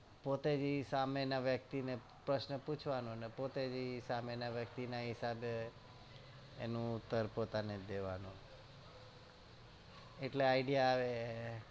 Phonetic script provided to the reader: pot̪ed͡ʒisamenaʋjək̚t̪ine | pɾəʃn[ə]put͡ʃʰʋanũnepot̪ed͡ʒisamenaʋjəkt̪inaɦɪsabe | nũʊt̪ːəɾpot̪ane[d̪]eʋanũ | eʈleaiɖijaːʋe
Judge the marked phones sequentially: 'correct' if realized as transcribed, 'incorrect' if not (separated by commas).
correct, correct